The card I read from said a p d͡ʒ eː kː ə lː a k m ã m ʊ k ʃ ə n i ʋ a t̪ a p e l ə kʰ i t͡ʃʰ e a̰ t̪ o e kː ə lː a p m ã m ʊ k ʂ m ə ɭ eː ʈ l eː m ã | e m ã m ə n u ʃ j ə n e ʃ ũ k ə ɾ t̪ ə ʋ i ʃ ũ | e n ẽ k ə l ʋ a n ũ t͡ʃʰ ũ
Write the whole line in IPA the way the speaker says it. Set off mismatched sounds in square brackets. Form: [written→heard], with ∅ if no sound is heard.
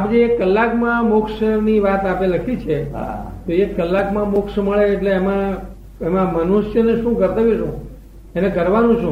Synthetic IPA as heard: a p d͡ʒ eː kː ə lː a k m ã m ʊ k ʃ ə n i ʋ a t̪ a p e l ə kʰ i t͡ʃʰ e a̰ t̪ o e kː ə lː a [p→k] m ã m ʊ k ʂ m ə ɭ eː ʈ l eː m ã | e m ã m ə n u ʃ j ə n e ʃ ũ k ə ɾ t̪ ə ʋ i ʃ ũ | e n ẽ k ə [l→ɾ] ʋ a n ũ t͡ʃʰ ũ